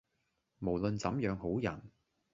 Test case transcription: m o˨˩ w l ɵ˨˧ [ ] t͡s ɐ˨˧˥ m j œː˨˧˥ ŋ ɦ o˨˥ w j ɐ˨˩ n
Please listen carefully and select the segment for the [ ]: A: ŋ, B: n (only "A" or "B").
B